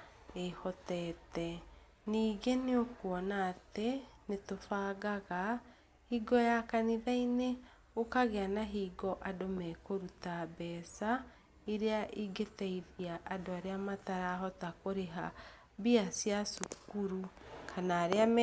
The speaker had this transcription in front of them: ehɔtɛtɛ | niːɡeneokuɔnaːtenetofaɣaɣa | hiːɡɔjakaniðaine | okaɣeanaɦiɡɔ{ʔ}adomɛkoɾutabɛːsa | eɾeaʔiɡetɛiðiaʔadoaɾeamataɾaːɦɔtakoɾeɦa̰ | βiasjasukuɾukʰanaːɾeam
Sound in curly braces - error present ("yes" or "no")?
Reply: no